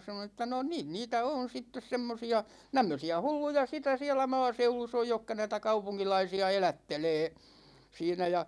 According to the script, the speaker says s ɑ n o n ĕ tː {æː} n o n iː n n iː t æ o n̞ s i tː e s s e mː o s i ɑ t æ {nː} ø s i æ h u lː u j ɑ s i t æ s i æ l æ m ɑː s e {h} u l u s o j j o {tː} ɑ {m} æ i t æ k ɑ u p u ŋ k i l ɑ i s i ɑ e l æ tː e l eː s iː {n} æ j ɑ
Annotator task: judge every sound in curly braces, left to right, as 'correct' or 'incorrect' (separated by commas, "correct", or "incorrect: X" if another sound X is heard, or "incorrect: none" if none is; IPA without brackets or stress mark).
incorrect: æ, incorrect: mː, incorrect: none, incorrect: kː, incorrect: n, correct